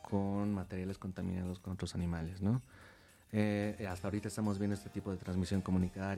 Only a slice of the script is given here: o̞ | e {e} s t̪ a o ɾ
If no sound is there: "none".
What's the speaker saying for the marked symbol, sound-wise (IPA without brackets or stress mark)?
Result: a